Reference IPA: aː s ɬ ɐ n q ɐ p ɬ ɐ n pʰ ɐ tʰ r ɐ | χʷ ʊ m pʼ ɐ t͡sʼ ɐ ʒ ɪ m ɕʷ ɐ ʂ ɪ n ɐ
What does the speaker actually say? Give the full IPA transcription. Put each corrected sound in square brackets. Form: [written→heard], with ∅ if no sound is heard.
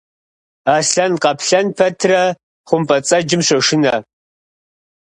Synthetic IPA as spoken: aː s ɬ ɐ n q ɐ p ɬ ɐ n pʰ ɐ tʰ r ɐ | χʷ ʊ m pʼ ɐ t͡sʼ ɐ [ʒ→d͡ʒ] ɪ m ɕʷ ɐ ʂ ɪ n ɐ